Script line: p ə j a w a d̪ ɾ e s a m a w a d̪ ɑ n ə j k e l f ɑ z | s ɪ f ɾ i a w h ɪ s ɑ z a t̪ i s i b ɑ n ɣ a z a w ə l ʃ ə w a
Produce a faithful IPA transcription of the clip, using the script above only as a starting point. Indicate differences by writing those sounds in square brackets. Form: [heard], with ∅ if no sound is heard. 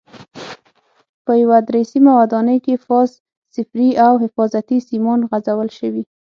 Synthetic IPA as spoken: p ə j a w a d̪ ɾ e s [i] m a w a d̪ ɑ n ə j k e [∅] f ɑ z | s ɪ f ɾ i a w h ɪ [f] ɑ z a t̪ i s i [m] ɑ n ɣ a z a w ə l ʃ ə w [i]